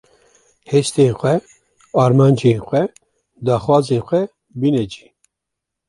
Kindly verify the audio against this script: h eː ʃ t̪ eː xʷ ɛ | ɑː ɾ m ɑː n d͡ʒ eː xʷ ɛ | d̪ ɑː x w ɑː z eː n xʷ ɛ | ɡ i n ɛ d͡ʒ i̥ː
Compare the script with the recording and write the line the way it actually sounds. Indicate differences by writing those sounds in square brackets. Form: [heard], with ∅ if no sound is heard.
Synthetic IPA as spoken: h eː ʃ t̪ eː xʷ ɛ | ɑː ɾ m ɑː n d͡ʒ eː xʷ ɛ | d̪ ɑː x w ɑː z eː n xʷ ɛ | [b] i n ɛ d͡ʒ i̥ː